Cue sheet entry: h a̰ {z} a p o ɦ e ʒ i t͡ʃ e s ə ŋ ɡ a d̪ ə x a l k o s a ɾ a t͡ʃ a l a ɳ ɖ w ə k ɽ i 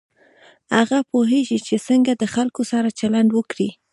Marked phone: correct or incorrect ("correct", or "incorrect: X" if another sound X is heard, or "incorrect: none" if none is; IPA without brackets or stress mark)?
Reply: incorrect: ɣ